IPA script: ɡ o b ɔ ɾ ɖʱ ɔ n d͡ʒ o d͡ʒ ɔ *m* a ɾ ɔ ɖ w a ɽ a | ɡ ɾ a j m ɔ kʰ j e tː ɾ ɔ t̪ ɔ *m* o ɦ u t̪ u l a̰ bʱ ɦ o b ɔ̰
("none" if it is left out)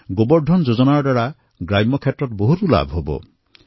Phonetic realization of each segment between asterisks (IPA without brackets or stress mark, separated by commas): n, b